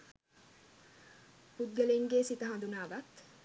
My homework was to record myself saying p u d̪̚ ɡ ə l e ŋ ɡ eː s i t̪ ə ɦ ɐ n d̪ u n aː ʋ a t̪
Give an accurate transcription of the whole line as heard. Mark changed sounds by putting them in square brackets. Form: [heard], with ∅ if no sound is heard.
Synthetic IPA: p u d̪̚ ɡ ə l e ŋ ɡ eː s i t̪ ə ɦ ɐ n d̪ u n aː ʋ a t̪